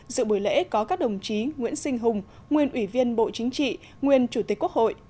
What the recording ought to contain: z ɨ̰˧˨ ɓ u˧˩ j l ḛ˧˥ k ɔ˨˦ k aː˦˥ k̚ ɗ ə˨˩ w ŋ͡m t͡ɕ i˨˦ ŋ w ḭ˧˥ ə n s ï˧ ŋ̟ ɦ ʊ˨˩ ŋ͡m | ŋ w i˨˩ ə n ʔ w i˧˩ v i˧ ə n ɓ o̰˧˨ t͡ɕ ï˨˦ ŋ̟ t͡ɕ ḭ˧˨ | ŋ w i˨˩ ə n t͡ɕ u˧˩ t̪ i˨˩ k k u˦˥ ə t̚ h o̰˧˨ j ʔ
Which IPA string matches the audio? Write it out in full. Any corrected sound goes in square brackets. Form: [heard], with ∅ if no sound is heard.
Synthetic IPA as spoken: z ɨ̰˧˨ ɓ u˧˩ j l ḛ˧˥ k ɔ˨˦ k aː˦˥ k̚ ɗ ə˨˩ w ŋ͡m t͡ɕ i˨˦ ŋ w ḭ˧˥ ə n s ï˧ ŋ̟ ɦ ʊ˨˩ ŋ͡m | ŋ w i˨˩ ə n ʔ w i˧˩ v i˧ ə n ɓ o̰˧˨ t͡ɕ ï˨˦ ŋ̟ t͡ɕ ḭ˧˨ | ŋ w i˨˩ ə n t͡ɕ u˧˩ t̪ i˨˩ k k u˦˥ ə [k̚] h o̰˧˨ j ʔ